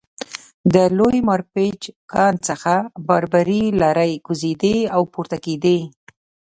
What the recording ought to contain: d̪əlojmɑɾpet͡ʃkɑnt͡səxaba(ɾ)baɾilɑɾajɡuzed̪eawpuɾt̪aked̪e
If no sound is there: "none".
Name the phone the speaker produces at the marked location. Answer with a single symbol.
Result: ɾ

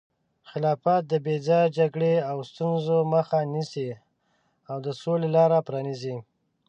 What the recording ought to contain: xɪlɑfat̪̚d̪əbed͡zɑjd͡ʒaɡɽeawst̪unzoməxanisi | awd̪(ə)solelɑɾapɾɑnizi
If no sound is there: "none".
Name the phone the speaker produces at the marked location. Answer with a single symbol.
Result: ə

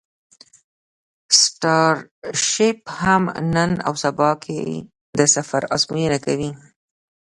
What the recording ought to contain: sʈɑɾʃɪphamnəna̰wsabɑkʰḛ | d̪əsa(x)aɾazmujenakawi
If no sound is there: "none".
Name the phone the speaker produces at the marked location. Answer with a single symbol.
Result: f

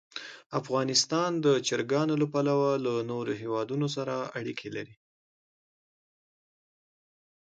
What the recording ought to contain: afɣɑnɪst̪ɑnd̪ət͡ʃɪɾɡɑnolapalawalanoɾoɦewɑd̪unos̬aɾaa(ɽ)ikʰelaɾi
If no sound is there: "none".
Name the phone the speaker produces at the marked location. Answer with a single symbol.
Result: ɽ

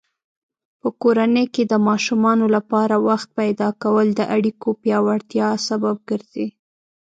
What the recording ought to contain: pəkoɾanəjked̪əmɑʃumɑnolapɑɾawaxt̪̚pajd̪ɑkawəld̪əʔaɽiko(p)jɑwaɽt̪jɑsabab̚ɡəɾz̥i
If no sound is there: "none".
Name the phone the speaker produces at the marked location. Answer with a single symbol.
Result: p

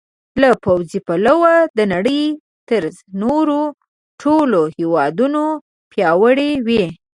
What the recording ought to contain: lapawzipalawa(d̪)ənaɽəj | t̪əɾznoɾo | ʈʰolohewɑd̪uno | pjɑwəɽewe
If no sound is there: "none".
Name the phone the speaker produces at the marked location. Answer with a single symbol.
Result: d̪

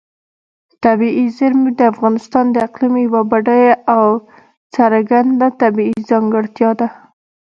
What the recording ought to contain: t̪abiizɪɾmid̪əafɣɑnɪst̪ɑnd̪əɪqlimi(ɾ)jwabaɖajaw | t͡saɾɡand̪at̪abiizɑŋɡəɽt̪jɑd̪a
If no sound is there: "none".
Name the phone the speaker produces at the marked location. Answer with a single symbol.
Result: none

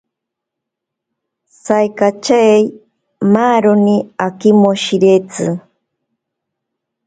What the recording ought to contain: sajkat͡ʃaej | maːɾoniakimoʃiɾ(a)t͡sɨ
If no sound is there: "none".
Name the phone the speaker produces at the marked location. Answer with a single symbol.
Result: e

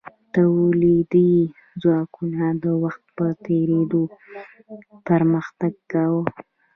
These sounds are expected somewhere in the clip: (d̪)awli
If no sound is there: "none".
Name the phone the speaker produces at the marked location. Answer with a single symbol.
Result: t̪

